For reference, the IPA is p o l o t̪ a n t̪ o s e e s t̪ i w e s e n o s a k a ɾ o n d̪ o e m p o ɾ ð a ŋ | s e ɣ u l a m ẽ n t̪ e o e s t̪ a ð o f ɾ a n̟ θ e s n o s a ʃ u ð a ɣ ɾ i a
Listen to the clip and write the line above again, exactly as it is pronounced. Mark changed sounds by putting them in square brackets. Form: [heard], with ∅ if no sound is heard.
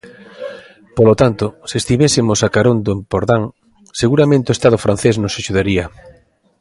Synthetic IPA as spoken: p o l o t̪ a n t̪ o s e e s t̪ i [β] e s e [m] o s a k a ɾ o n d̪ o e m p o ɾ ð a ŋ | s e ɣ u [ɾ] a m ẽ n t̪ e o e s t̪ a ð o f ɾ a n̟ θ e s n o s a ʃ u ð a [∅] ɾ i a